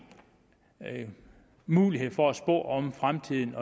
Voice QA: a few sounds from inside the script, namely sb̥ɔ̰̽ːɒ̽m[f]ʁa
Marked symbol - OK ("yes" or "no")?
yes